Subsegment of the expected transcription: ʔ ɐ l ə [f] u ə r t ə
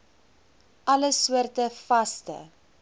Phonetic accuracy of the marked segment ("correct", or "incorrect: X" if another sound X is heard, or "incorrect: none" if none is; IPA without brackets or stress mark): incorrect: s